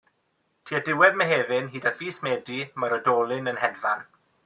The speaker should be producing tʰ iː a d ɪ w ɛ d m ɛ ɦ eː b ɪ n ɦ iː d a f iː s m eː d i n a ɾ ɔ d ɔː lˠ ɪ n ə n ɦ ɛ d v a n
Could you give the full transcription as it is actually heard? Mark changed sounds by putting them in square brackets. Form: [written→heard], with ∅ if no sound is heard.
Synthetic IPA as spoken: tʰ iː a d ɪ w ɛ d m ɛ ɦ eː [b→v] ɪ n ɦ iː d a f iː s m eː d i [n→m] a ɾ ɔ d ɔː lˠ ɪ n ə n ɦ ɛ d v a n